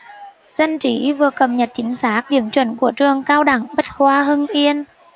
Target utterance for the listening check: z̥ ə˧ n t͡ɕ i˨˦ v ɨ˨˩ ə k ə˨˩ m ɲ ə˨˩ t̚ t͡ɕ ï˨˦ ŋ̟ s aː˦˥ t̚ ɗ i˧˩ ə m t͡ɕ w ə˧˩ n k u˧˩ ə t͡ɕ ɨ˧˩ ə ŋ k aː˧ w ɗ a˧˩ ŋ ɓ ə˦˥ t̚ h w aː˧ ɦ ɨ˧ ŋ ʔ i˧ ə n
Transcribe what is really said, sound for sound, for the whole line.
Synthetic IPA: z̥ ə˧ n t͡ɕ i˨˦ v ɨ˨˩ ə k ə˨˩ m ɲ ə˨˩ t̚ t͡ɕ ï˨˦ ŋ̟ s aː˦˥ k̚ ɗ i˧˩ ə m t͡ɕ w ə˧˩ n k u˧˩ ə t͡ɕ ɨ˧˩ ə ŋ k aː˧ w ɗ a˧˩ ŋ ɓ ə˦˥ t̚ h w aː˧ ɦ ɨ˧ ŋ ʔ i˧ ə n